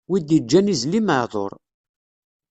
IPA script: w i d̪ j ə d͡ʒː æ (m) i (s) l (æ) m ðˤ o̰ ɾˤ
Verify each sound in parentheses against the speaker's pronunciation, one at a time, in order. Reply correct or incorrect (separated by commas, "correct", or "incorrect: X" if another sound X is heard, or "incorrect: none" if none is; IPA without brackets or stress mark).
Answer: incorrect: n, incorrect: z, incorrect: i